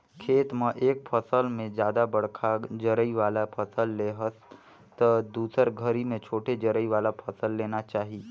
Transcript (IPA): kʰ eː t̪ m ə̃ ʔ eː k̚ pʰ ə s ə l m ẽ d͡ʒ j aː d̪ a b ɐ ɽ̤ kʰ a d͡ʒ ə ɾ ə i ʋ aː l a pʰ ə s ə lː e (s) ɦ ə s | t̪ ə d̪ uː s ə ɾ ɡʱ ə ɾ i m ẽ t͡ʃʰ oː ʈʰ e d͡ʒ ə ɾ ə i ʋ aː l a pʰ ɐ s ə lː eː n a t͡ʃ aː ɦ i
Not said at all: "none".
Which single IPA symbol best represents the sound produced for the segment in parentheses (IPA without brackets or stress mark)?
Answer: none